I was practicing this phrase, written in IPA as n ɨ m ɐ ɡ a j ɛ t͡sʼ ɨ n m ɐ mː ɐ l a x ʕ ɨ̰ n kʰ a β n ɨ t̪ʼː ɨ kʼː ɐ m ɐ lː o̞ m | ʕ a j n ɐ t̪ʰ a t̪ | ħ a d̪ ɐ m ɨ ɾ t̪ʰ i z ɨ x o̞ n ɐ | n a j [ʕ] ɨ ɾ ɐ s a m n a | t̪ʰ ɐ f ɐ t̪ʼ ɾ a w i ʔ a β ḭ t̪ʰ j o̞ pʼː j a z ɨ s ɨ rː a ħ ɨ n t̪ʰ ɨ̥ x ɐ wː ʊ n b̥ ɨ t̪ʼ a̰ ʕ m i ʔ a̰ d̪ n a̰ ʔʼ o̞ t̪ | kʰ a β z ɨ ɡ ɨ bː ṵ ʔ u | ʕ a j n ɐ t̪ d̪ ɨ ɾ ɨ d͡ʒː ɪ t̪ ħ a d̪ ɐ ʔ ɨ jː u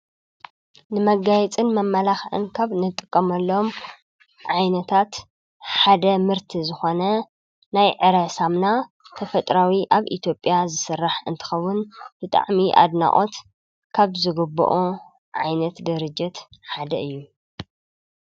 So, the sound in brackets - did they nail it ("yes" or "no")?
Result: yes